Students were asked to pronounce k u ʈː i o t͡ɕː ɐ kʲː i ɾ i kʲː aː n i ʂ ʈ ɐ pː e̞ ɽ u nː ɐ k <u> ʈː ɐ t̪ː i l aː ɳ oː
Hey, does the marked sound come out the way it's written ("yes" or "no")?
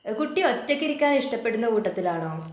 no